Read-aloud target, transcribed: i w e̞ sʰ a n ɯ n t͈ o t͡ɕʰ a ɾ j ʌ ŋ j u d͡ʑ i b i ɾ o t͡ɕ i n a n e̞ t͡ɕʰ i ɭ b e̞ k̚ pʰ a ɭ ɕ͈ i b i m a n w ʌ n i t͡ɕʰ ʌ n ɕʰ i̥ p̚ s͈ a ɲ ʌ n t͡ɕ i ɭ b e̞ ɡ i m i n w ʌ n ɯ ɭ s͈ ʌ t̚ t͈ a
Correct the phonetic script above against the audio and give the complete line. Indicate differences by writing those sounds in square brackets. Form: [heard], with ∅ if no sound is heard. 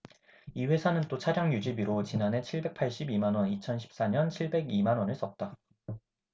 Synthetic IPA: i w e̞ sʰ a n ɯ n t͈ o t͡ɕʰ a ɾ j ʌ ŋ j u d͡ʑ i b i ɾ o t͡ɕ i n a n e̞ t͡ɕʰ i ɭ b e̞ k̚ pʰ a ɭ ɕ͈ i b i m a n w ʌ n i t͡ɕʰ ʌ n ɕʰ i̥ p̚ s͈ a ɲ ʌ n [t͡ɕʰ] i ɭ b e̞ ɡ i m [a] n w ʌ n ɯ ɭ s͈ ʌ t̚ t͈ a